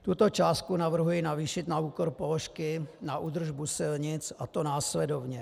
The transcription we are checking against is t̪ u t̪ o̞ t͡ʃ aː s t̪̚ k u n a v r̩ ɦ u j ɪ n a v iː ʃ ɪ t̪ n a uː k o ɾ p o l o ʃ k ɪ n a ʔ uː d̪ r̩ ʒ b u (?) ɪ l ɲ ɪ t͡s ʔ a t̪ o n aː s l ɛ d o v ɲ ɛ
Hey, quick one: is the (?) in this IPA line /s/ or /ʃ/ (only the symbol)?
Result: s